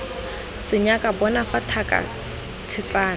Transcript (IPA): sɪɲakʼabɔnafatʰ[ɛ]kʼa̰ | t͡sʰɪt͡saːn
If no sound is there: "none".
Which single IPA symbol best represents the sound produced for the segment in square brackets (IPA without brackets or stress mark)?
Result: a